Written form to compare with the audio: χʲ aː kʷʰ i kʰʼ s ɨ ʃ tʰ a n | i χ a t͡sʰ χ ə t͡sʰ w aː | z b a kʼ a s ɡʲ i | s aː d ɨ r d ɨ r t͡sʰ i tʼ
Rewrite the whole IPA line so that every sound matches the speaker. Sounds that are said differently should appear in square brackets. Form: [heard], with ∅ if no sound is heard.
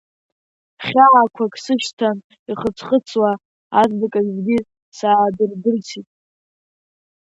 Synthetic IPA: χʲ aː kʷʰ [a] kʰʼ s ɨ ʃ tʰ a n | i χ [ə] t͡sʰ χ ə t͡sʰ w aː | z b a kʼ a [z] ɡʲ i | s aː d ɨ r d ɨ r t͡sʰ i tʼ